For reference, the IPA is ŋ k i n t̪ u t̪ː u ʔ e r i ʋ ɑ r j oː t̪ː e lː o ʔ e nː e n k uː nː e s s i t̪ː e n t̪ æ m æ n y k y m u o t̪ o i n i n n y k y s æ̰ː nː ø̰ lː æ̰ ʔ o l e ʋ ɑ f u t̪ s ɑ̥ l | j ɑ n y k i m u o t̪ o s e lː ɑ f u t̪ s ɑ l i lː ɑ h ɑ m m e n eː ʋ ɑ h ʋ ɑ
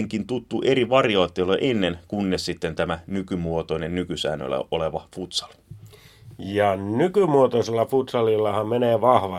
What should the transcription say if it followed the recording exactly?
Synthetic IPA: ŋ k i n t̪ u t̪ː u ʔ e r i ʋ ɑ r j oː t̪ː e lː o ʔ e nː e n k u nː e s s i t̪ː e n t̪ æ m æ n y k y m u o t̪ o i n e n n y k y s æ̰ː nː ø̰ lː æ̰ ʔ o l e ʋ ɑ f u t̪ s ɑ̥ l | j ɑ n y k y m u o t̪ o s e lː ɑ f u t̪ s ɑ l i lː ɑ h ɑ m m e n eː ʋ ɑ h ʋ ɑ